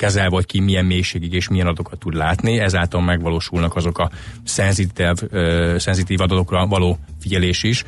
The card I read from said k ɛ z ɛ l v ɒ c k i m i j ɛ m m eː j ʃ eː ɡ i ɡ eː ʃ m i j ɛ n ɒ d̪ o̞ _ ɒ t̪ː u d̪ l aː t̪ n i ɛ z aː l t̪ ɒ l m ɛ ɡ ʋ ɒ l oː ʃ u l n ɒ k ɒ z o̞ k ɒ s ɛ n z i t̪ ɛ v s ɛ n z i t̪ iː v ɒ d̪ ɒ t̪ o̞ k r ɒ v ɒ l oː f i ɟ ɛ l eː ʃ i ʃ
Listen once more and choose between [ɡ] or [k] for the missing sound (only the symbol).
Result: k